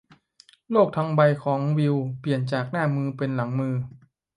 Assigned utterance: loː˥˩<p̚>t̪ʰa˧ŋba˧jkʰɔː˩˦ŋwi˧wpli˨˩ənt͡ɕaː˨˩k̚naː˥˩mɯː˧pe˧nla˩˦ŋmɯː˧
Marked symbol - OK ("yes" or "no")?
no